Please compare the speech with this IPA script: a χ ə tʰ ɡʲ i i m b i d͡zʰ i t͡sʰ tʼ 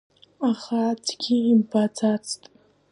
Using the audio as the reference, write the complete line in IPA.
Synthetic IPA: a χ a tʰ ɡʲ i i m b a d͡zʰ a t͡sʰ tʼ

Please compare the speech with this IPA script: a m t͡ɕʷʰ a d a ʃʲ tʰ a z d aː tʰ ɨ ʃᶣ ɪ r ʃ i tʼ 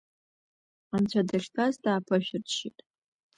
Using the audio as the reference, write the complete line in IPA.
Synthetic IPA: a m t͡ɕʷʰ a d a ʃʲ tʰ a z d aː pʰ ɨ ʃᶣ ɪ r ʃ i tʼ

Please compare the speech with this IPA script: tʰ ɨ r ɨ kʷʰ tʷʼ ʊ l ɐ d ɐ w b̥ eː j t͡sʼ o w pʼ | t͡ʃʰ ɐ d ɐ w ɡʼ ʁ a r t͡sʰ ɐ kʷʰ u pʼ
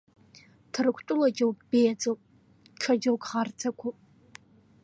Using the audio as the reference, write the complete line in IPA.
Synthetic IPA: tʰ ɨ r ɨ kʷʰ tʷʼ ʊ l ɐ d͡ʒ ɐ w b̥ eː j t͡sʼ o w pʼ | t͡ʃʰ ɐ d͡ʒ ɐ w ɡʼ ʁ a r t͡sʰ ɐ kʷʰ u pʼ

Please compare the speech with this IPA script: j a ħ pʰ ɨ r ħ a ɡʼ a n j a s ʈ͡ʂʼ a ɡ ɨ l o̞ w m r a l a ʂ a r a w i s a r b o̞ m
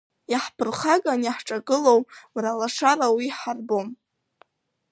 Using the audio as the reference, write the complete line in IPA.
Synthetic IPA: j a ħ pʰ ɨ r χ a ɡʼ a n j a ħ ʈ͡ʂʼ a ɡ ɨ l o̞ w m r a l a ʂ a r a w i ħ a r b o̞ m

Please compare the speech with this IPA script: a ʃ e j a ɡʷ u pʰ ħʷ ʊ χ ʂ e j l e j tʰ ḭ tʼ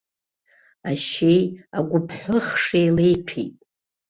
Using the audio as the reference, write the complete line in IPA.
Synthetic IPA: a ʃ e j a ɡʷ ʊ pʰ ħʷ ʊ χ ʂ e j l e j pʰ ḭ tʼ

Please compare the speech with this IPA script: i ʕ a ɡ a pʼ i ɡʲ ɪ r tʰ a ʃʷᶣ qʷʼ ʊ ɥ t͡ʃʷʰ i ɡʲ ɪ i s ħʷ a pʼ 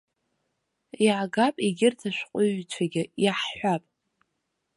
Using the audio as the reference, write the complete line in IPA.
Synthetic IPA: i ʕ a ɡ a pʼ i ɡʲ ɪ r tʰ a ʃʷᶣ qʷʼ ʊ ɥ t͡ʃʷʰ a ɡʲ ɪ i ħ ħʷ a pʼ

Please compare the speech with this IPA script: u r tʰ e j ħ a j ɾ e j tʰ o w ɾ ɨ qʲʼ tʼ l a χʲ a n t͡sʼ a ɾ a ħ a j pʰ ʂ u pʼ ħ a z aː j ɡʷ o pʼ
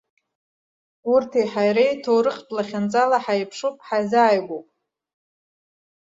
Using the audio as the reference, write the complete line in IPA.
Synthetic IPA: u r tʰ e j ħ a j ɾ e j tʰ o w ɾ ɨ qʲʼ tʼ l a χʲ a n t͡sʼ a l a ħ a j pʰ ʂ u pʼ ħ a z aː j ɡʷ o pʼ

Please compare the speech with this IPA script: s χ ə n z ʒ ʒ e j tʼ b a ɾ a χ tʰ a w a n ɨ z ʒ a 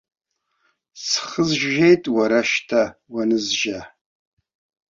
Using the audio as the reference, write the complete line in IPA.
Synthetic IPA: s χ ə z ʒ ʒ e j tʼ w a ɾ a ʃ tʰ a w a n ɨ z ʒ a

